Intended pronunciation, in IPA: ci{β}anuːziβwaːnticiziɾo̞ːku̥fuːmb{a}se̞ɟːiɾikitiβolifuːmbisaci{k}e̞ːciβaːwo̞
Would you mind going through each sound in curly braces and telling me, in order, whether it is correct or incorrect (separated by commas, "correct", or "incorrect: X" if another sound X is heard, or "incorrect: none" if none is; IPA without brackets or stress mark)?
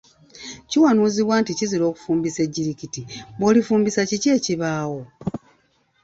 incorrect: w, incorrect: i, incorrect: c